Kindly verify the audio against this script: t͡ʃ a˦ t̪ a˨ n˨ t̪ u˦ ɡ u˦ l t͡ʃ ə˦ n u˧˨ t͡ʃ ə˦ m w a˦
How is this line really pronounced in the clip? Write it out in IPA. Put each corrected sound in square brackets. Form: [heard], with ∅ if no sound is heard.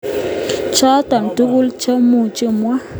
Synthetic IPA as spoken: t͡ʃ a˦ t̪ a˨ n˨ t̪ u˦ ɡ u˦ l t͡ʃ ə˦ [m] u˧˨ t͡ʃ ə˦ m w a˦